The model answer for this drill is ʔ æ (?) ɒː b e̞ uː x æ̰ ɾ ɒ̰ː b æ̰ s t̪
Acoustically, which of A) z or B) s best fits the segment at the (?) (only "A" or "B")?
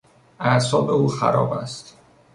B